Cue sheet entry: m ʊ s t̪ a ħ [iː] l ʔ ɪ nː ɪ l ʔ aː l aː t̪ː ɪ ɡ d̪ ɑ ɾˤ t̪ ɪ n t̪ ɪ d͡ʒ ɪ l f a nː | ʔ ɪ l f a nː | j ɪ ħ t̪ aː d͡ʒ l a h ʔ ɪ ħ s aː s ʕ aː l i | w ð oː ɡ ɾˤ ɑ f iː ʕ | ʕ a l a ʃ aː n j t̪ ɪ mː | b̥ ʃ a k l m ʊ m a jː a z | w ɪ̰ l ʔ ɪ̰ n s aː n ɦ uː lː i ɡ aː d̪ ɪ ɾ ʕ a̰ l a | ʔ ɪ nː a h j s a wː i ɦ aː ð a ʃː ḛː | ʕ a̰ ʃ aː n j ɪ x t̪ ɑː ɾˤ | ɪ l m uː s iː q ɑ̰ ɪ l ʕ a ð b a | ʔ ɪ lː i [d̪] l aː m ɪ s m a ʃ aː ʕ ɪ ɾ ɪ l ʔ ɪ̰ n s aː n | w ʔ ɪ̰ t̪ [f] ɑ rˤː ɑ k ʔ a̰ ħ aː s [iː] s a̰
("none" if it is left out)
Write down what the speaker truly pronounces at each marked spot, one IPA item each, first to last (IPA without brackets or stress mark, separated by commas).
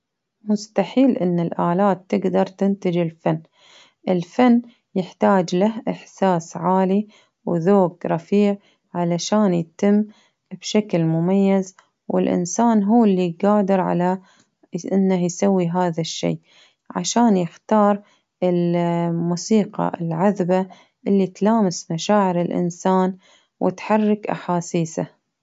iː, t̪, ħ, iː